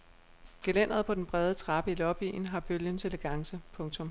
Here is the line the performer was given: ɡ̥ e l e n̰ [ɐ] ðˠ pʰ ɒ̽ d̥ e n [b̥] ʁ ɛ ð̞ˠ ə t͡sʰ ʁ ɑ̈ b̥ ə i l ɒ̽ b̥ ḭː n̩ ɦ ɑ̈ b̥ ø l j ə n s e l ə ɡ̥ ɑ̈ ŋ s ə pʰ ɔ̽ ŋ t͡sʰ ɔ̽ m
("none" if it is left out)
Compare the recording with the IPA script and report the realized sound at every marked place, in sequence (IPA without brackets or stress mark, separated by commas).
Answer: ɐ, b̥